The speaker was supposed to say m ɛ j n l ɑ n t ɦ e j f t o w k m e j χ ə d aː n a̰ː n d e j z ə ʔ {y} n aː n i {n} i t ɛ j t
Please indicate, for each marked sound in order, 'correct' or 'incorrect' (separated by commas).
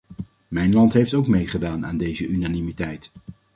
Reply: correct, incorrect